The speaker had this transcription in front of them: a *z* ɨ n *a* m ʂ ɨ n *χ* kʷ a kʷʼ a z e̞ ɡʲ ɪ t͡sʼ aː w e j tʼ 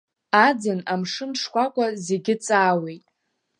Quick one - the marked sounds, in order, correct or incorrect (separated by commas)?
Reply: incorrect, correct, incorrect